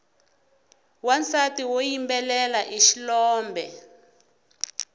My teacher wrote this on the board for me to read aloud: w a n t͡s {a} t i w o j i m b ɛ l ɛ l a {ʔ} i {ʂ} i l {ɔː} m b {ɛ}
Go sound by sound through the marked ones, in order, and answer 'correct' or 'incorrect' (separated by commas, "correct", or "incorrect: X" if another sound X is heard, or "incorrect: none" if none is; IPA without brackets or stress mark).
correct, correct, incorrect: ʃ, correct, correct